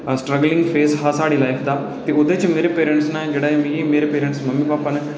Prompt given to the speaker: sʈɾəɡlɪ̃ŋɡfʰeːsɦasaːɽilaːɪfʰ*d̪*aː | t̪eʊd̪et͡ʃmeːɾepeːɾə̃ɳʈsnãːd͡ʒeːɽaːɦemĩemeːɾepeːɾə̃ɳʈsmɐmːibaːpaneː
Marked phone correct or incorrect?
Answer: correct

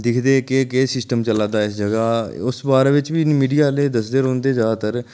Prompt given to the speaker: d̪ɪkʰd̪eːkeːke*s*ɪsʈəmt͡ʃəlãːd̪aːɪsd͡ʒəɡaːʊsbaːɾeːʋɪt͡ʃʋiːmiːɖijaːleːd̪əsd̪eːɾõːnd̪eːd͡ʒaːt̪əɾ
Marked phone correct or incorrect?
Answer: correct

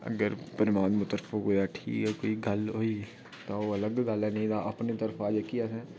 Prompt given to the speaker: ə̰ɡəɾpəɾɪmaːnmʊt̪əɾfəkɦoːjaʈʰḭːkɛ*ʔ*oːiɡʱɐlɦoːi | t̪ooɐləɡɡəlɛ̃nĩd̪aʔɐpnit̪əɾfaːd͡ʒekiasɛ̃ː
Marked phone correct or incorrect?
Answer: incorrect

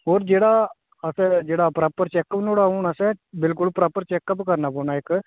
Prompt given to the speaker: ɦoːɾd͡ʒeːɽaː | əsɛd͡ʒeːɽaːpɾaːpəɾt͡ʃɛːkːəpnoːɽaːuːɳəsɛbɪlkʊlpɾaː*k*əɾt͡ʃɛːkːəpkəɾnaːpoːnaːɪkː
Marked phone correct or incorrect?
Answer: incorrect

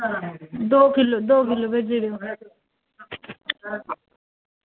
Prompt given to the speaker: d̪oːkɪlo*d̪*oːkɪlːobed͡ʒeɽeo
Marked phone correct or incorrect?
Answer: correct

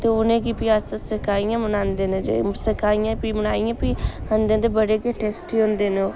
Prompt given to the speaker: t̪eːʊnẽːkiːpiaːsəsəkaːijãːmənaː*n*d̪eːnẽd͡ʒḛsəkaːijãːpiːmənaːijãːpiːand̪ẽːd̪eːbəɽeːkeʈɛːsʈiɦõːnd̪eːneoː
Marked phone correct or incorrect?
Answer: correct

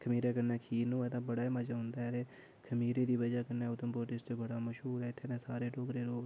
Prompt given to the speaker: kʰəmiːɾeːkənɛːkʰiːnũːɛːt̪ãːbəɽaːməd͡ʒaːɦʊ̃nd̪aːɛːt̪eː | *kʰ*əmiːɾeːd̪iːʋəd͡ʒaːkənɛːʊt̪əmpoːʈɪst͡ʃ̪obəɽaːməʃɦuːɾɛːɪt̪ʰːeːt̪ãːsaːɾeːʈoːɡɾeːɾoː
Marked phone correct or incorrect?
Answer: correct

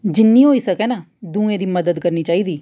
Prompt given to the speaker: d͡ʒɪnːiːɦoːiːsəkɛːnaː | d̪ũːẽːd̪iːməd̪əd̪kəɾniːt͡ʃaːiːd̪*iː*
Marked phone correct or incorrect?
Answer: correct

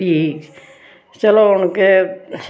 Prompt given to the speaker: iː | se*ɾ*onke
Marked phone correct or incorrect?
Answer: incorrect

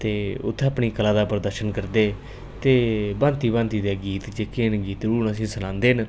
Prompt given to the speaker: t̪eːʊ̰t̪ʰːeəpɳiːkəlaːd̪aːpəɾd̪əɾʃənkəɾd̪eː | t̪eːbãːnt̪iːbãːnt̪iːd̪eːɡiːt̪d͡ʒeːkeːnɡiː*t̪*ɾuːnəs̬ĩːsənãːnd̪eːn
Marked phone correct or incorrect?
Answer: correct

